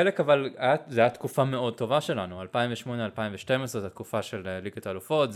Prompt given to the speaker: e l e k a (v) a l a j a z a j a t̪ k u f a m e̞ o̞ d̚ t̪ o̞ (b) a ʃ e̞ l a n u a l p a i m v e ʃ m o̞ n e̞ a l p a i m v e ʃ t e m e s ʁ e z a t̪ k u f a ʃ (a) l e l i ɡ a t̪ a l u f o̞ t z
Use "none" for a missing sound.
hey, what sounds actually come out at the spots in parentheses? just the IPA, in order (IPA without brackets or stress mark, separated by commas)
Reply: v, v, e